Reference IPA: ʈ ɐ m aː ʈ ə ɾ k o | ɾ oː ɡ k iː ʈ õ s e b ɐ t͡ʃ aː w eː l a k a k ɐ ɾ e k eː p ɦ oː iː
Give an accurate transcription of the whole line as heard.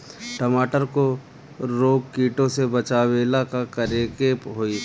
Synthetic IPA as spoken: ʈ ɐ m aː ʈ ə ɾ k o | ɾ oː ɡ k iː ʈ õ s e b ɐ t͡ʃ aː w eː l a k a k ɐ ɾ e k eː p ɦ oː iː